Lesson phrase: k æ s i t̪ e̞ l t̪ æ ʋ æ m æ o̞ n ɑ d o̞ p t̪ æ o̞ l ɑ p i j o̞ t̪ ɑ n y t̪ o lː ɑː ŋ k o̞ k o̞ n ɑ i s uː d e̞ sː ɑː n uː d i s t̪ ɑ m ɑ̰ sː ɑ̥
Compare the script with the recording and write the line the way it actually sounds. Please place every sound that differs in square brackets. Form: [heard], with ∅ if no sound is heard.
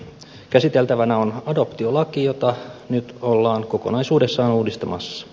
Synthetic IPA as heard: k æ s i t̪ e̞ l t̪ æ ʋ æ [n] æ o̞ n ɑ d o̞ p t̪ [i] o̞ l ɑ [k] i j o̞ t̪ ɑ n y t̪ o lː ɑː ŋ k o̞ k o̞ n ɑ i s uː d e̞ sː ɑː n uː d i s t̪ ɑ m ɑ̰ sː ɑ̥